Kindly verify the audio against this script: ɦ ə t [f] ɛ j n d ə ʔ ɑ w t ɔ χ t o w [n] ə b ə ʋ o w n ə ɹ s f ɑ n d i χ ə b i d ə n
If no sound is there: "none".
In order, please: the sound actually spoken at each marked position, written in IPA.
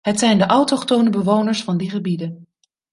s, n

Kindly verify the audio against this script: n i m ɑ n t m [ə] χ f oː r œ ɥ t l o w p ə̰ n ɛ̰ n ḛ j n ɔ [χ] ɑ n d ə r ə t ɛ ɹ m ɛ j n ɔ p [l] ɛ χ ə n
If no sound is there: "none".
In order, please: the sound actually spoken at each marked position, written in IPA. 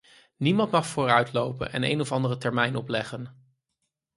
ɑ, f, l

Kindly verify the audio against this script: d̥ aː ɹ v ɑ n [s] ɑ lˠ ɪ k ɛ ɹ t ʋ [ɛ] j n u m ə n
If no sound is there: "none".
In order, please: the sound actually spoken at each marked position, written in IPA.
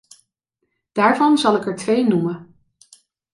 z, e

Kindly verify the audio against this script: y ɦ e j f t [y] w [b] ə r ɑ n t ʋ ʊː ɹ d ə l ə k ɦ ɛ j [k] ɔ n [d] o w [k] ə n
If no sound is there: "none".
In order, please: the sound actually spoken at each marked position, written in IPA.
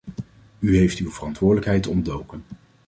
y, v, t, d, k

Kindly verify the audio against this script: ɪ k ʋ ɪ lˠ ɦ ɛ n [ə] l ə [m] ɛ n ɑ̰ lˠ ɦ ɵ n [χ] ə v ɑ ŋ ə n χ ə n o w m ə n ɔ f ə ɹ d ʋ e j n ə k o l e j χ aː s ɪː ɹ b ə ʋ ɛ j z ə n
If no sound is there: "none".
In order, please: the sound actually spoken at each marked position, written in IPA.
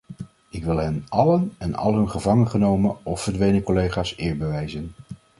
ɑ, n, χ

